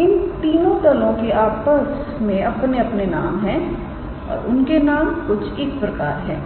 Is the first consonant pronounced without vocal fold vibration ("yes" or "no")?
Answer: no